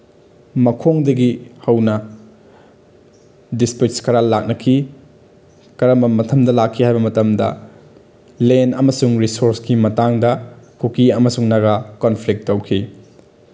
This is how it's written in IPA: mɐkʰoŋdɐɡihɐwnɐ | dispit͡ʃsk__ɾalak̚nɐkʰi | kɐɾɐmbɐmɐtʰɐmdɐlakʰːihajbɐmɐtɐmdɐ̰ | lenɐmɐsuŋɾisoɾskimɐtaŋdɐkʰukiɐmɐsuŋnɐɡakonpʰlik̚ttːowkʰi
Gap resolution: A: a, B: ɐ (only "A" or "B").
B